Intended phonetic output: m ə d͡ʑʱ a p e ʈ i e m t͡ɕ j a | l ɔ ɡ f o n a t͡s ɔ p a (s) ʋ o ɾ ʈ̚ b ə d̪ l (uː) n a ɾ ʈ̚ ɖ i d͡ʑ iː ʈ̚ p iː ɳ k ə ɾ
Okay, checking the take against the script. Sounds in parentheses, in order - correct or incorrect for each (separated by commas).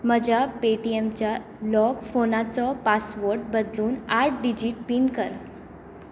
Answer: correct, correct